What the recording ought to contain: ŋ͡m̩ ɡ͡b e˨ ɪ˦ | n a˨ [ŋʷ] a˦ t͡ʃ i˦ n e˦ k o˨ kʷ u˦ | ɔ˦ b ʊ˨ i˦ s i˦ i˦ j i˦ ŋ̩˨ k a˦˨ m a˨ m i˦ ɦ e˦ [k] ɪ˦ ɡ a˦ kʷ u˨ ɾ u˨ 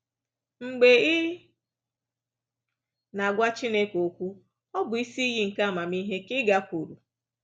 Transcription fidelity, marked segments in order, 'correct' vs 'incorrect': incorrect: ɡʷ, correct

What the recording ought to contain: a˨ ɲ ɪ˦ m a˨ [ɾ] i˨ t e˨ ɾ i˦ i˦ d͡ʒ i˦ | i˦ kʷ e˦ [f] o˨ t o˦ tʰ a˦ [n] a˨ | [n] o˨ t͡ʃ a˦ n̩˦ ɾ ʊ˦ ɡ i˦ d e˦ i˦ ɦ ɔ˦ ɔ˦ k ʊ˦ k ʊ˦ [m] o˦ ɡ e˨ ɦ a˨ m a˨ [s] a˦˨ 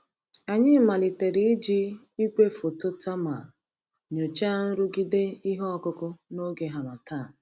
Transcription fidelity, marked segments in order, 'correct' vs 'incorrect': incorrect: l, correct, incorrect: m, incorrect: ɲ, incorrect: n, incorrect: t

